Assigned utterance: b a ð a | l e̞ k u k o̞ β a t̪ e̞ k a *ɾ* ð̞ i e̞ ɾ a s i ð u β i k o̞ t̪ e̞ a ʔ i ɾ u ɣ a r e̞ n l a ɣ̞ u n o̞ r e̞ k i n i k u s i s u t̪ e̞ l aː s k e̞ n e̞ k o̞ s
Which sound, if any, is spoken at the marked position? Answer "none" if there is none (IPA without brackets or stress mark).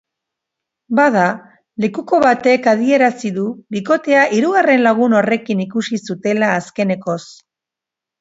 none